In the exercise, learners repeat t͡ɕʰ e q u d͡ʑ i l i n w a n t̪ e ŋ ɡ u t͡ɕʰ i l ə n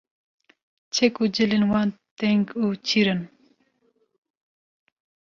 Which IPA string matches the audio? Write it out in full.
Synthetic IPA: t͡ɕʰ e k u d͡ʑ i l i n w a n t̪ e ŋ ɡ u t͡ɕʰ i ɾ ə n